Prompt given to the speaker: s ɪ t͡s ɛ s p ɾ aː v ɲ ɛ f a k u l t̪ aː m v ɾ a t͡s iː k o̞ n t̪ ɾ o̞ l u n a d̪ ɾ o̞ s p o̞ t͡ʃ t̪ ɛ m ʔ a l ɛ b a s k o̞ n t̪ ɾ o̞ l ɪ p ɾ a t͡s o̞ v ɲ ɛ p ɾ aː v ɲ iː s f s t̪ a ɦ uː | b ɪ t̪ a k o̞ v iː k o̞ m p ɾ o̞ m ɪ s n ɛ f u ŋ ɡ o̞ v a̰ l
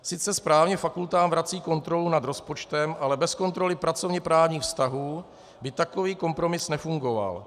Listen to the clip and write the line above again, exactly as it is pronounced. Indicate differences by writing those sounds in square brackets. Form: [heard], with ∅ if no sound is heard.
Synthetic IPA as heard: s ɪ t͡s ɛ s p ɾ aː v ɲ ɛ f a k u l t̪ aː m v ɾ a t͡s iː k o̞ n t̪ ɾ o̞ l u n a d̪ ɾ o̞ s p o̞ t͡ʃ t̪ ɛ m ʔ a l ɛ b [ɛ] s k o̞ n t̪ ɾ o̞ l ɪ p ɾ a t͡s o̞ v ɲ ɛ p ɾ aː v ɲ iː [x] f s t̪ a ɦ uː | b ɪ t̪ a k o̞ v iː k o̞ m p ɾ o̞ m ɪ s n ɛ f u ŋ ɡ o̞ v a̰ l